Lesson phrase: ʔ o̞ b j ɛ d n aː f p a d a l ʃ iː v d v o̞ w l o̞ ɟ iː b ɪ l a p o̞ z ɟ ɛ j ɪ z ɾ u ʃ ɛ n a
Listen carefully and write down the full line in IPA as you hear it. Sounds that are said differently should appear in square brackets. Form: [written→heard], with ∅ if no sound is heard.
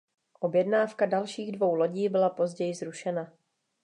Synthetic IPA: ʔ o̞ b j ɛ d n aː f [p→k] a d a l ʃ iː [v→ɣ] d v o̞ w l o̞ ɟ iː b ɪ l a p o̞ z ɟ ɛ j ɪ z ɾ u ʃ ɛ n a